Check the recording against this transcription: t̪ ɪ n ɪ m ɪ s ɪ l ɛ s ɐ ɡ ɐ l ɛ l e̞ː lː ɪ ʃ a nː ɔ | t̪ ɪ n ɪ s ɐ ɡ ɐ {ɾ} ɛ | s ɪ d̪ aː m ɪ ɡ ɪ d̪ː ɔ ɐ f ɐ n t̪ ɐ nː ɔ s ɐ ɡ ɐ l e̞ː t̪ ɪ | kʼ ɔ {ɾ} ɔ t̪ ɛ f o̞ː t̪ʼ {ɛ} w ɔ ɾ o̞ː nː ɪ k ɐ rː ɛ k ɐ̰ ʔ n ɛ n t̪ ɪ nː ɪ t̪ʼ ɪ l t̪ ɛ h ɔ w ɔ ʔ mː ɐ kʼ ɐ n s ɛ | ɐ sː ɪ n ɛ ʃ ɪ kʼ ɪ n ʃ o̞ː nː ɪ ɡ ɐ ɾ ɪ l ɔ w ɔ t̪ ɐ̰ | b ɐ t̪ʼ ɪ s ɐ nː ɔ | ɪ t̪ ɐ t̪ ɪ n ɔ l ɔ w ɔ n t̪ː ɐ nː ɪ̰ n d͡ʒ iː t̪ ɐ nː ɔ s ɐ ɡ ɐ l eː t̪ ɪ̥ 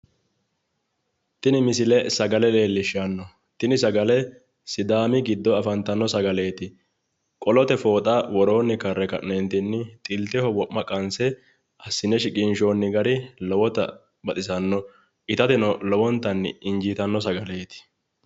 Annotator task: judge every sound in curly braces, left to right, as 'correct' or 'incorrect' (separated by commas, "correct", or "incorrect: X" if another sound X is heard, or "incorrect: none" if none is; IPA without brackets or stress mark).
incorrect: l, incorrect: l, incorrect: a